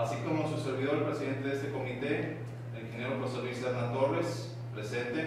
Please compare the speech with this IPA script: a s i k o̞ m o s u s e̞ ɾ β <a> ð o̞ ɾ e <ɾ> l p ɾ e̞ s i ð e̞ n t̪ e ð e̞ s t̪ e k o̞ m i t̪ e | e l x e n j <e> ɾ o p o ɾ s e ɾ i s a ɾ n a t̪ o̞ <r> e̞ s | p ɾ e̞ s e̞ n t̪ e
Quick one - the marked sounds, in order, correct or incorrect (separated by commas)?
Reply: incorrect, incorrect, correct, correct